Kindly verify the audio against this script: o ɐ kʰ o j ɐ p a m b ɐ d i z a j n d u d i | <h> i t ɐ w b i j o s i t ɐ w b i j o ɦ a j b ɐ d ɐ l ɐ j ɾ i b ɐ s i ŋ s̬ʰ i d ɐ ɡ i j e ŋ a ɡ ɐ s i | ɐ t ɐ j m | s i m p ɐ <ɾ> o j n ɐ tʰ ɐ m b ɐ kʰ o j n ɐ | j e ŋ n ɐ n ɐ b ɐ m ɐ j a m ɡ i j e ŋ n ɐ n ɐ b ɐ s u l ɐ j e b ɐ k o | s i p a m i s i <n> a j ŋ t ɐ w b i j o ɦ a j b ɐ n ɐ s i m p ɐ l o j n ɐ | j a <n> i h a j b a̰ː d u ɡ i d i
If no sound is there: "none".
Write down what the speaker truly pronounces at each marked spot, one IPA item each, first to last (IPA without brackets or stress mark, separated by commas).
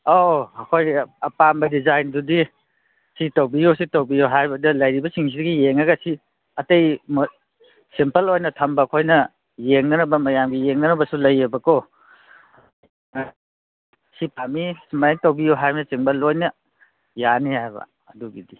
s, l, m, n